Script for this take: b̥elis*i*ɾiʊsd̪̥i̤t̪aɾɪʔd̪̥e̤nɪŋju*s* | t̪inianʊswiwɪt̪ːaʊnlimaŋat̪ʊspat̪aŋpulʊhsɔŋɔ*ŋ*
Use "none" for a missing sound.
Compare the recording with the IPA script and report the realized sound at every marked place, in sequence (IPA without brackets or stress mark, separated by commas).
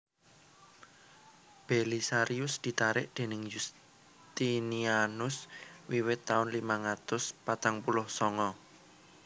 a, s, none